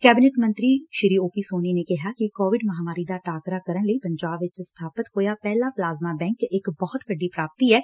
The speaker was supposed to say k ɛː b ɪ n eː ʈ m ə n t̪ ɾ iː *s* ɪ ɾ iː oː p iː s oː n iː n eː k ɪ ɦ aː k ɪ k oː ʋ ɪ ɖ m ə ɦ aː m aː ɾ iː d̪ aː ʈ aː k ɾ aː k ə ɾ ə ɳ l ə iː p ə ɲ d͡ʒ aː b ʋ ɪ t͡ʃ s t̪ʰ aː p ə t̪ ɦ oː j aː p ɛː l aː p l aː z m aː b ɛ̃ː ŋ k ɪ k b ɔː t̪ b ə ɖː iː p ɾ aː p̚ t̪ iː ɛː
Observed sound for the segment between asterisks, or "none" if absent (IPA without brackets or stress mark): ʃ